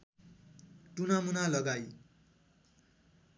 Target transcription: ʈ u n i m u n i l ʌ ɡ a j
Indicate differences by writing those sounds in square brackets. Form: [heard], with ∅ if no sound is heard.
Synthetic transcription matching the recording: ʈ u n [a] m u n [a] l ʌ ɡ a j